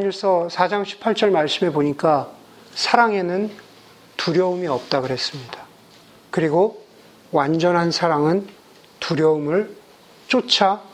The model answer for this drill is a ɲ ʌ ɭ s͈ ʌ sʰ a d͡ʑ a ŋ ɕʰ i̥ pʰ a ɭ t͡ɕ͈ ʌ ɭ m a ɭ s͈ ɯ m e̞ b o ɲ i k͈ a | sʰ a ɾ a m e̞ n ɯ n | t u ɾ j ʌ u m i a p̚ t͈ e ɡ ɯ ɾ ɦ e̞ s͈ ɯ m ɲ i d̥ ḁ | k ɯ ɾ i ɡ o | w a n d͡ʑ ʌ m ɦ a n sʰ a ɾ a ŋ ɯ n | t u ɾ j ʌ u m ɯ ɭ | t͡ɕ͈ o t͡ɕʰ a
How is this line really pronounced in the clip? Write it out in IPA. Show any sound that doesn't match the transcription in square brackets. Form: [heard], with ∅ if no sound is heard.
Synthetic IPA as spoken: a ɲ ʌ ɭ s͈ ʌ sʰ a d͡ʑ a ŋ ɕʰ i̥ pʰ a ɭ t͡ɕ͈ ʌ ɭ m a ɭ s͈ ɯ m e̞ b o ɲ i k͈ a | sʰ a ɾ a [ŋ] e̞ n ɯ n | t u ɾ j ʌ u m i [ʌ] p̚ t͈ [a] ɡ ɯ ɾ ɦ e̞ s͈ ɯ m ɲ i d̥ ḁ | k ɯ ɾ i ɡ o | w a n d͡ʑ ʌ [n] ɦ a n sʰ a ɾ a ŋ ɯ n | t u ɾ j ʌ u m ɯ ɭ | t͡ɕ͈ o t͡ɕʰ a